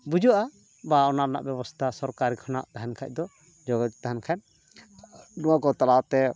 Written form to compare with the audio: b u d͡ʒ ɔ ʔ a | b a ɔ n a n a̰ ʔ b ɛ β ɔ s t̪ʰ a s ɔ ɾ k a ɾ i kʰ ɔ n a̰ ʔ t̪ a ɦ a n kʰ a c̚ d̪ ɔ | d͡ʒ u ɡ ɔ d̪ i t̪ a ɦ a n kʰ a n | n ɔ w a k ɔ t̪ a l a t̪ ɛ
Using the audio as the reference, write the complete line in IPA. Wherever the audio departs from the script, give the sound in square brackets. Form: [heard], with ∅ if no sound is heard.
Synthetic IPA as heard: b u d͡ʒ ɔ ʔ a | b a ɔ n a n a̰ ʔ b ɛ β ɔ s t̪ʰ a s ɔ ɾ k a ɾ i kʰ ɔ n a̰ ʔ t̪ a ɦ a n kʰ a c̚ d̪ ɔ | d͡ʒ [ɔ] ɡ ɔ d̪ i t̪ a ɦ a n kʰ a n | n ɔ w a k ɔ t̪ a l a t̪ ɛ